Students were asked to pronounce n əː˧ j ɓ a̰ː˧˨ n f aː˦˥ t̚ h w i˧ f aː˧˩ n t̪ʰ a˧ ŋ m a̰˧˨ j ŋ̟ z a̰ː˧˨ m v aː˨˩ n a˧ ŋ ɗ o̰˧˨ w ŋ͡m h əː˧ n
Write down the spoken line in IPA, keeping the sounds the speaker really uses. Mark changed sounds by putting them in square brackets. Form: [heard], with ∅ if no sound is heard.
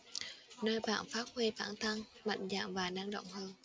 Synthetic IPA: n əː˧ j ɓ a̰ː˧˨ n f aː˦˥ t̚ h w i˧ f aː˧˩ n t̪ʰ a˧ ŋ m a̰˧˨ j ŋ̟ z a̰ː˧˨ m v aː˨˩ n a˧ ŋ ɗ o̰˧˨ w ŋ͡m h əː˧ n

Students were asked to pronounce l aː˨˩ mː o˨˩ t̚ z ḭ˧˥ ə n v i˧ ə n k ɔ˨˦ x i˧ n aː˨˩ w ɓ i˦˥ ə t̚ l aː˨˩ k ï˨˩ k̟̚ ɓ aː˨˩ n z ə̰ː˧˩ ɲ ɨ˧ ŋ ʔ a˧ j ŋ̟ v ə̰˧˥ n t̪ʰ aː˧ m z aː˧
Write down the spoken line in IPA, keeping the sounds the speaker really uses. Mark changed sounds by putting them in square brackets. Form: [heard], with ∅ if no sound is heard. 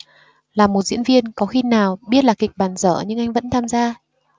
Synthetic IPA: l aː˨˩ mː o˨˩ t̚ z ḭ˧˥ ə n v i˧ ə n k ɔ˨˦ x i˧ n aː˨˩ w ɓ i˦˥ ə t̚ l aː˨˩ k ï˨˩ k̟̚ ɓ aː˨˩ n z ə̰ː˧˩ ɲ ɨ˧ ŋ ʔ a˧ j ŋ̟ v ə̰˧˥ n t̪ʰ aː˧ m z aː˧

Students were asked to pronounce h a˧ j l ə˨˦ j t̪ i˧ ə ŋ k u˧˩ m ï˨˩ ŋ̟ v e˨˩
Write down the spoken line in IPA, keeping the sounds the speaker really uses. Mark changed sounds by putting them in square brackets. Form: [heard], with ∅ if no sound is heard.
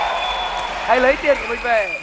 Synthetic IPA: h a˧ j l ə˨˦ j t̪ i˧ ə [n] k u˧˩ m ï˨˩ ŋ̟ v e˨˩

